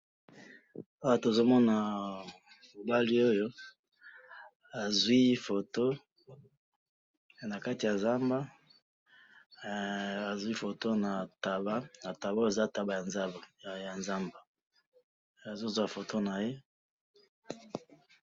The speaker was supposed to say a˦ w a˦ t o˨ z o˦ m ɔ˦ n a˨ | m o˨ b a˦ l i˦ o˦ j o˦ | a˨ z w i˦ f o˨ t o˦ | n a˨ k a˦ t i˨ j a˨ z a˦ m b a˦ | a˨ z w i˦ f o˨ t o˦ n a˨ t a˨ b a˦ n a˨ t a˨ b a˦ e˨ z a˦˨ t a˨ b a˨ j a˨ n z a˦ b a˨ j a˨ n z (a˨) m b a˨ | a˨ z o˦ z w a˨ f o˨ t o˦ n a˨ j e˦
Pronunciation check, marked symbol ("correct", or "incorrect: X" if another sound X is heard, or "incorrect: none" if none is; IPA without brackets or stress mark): incorrect: a˦